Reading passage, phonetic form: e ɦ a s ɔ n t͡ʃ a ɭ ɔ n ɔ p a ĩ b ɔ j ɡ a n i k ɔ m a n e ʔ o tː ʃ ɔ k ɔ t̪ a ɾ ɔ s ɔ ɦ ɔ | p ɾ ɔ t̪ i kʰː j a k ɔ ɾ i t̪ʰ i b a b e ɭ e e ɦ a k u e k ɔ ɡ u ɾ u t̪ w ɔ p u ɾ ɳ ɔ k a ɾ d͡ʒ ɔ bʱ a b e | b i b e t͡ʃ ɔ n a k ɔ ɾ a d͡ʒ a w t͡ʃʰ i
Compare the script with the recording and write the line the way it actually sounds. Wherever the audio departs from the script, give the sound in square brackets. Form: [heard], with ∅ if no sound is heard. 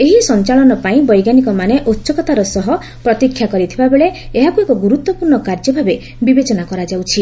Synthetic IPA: e ɦ [i] s ɔ n t͡ʃ a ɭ ɔ n ɔ p a ĩ b ɔ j ɡ a n i k ɔ m a n e ʔ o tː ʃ ɔ k ɔ t̪ a ɾ ɔ s ɔ ɦ ɔ | p ɾ ɔ t̪ i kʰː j a k ɔ ɾ i t̪ʰ i b a b e ɭ e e ɦ a k u e k ɔ ɡ u ɾ u t̪ w ɔ p u ɾ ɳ ɔ k a ɾ d͡ʒ ɔ bʱ a b e | b i b e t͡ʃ ɔ n a k ɔ ɾ a d͡ʒ a w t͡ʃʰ i